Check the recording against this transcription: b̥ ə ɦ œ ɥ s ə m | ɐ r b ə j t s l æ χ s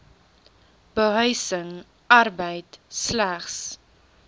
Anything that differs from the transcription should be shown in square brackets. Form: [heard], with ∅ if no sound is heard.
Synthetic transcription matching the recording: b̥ ə ɦ œ ɥ s ə [ŋ] | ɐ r b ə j t s l æ χ s